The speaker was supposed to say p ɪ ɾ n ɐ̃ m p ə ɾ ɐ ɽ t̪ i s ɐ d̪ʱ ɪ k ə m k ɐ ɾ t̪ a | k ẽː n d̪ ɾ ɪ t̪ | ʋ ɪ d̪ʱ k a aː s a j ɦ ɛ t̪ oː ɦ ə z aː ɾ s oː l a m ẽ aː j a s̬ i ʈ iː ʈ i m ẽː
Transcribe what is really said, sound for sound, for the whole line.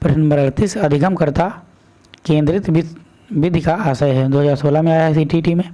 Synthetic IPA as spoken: p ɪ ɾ n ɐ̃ m b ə ɾ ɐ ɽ t̪ i s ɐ d̪ʱ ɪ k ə m k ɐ ɾ t̪ a | k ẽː n d̪ ɾ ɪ t̪ | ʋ ɪ d̪ʱ k a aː s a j ɦ ɛ d̪ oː ɦ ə z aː ɾ s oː l a m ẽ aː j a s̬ i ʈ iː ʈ i m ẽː